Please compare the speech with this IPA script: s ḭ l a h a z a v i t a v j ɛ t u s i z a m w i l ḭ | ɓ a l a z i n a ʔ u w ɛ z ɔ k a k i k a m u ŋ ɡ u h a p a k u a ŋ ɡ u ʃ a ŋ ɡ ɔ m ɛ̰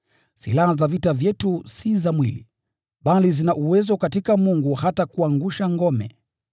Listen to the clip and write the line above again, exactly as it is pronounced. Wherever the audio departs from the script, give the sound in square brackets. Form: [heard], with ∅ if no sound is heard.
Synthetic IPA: s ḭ l a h a z a v i t a v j ɛ t u s i z a m w i l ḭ | ɓ a l [i] z i n a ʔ u w ɛ z ɔ k a [t] i k a m u ŋ ɡ u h a [t] a k u a ŋ ɡ u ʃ a ŋ ɡ ɔ m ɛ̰